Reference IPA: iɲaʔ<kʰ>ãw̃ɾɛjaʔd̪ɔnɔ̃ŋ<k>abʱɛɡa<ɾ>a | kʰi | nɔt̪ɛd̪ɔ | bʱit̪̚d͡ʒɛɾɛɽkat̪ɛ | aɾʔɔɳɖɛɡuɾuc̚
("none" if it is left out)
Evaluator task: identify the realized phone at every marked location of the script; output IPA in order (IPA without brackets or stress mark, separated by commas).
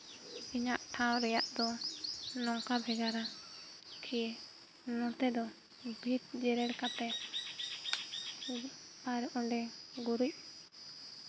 ʈʰ, k, ɾ